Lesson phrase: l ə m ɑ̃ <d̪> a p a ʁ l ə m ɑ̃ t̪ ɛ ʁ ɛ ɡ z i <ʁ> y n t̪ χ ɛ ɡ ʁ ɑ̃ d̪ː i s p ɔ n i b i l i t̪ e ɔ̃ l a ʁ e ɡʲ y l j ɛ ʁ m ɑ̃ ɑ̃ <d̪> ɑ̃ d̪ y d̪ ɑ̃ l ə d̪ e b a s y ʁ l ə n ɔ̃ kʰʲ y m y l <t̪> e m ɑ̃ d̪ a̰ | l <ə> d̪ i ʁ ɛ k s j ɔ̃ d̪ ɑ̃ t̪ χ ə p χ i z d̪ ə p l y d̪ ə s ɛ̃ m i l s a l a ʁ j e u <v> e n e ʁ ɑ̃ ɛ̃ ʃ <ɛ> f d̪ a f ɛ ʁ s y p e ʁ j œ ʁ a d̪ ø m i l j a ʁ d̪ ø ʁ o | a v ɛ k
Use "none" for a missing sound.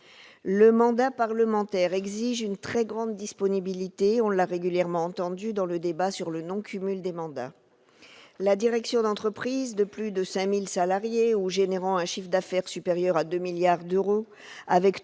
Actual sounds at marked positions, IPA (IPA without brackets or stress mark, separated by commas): d̪, ʒ, t̪, d̪, a, ʒ, i